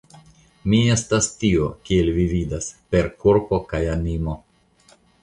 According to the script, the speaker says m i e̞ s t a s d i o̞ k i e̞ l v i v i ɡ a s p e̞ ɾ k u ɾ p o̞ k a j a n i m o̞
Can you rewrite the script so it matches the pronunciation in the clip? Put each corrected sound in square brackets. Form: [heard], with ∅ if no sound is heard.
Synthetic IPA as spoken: m i e̞ s t a s [t] i o̞ k i e̞ l v i v i [d] a s p e̞ ɾ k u ɾ p o̞ k a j a n i m o̞